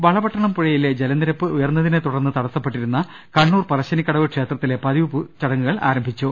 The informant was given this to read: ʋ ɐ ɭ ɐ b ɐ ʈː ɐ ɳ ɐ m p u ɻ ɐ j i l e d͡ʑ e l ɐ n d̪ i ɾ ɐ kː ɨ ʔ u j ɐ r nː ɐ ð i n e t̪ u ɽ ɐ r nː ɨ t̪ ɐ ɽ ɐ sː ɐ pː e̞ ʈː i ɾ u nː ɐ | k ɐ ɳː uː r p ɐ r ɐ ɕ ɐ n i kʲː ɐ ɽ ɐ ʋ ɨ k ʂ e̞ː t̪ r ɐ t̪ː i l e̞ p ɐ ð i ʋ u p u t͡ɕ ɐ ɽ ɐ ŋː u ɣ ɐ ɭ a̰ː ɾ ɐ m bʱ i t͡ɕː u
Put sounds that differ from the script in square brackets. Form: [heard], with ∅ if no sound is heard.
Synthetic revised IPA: ʋ ɐ ɭ ɐ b ɐ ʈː ɐ ɳ ɐ m p u ɻ ɐ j i l e d͡ʑ e l ɐ n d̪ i ɾ ɐ [pː] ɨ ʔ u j ɐ r nː ɐ ð i n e t̪ u ɽ ɐ r nː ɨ t̪ ɐ ɽ ɐ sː ɐ pː e̞ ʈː i ɾ u nː ɐ | k ɐ ɳː uː r p ɐ r ɐ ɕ ɐ n i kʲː ɐ ɽ ɐ ʋ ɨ k ʂ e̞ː t̪ r ɐ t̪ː i l e̞ p ɐ ð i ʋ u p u t͡ɕ ɐ ɽ ɐ ŋː u ɣ ɐ ɭ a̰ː ɾ ɐ m bʱ i t͡ɕː u